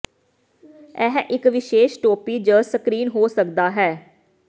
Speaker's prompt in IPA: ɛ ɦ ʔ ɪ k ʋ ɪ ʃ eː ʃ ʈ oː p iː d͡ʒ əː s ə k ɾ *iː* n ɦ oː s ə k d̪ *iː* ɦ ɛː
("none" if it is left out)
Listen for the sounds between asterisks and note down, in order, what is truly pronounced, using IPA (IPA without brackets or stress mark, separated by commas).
iː, aː